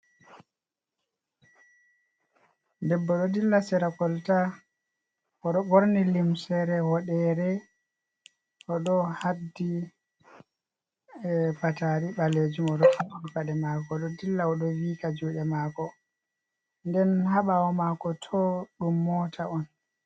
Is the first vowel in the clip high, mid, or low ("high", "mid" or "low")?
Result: mid